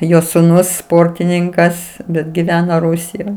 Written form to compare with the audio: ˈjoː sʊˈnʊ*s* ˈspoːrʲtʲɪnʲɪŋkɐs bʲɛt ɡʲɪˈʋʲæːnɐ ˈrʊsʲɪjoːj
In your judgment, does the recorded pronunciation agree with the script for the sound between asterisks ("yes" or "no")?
yes